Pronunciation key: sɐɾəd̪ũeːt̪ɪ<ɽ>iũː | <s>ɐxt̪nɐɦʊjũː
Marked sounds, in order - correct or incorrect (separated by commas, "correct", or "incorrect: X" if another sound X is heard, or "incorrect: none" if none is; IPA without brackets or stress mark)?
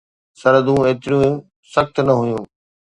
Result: incorrect: ɾ, correct